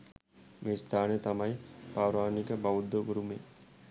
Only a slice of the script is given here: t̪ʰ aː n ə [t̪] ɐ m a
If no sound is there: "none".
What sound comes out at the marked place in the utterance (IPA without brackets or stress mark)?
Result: t̪